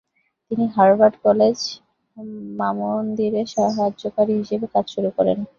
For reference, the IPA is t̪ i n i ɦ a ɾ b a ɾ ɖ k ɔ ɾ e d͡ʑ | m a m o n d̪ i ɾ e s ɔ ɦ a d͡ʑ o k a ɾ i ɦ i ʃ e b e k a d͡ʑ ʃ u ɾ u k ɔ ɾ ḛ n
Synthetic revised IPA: t̪ i n i ɦ a ɾ b a ɾ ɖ k ɔ l e d͡ʑ | m a m o n d̪ i ɾ e ʃ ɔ ɦ a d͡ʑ o k a ɾ i ɦ i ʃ e b e k a d͡ʑ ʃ u ɾ u k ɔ ɾ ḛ n